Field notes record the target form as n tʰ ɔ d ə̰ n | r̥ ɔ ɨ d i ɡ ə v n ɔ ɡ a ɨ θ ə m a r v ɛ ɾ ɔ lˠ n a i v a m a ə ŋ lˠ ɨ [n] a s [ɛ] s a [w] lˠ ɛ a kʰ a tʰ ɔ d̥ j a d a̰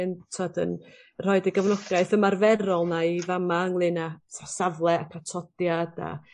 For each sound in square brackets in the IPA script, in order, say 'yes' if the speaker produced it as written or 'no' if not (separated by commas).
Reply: yes, no, no